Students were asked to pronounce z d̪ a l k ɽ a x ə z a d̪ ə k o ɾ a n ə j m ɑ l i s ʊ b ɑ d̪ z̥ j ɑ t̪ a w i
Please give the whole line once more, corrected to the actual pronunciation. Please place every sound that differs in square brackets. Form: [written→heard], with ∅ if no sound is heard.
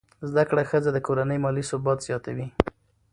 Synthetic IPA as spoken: z d̪ a [l→∅] k ɽ a x ə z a d̪ ə k o ɾ a n ə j m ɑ l i s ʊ b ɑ [d̪→t̪] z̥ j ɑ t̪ a w i